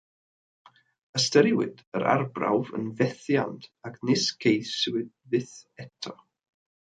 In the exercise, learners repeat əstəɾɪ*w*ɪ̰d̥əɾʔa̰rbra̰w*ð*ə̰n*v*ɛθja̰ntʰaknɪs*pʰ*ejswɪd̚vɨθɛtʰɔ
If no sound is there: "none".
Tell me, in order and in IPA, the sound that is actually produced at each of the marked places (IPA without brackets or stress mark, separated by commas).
w, v, v, kʰ